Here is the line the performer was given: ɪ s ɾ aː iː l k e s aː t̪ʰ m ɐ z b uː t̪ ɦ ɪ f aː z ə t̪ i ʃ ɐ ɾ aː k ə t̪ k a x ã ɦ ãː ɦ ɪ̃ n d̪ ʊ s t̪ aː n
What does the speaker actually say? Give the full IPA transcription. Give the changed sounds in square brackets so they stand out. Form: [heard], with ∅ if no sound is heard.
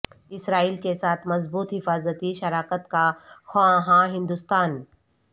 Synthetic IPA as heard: ɪ s ɾ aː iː l k e s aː t̪ʰ m ɐ z b uː t̪ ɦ ɪ f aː z ə t̪ i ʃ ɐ ɾ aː k ə t̪ k a x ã ɦ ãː ɦ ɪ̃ n d̪ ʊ s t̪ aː n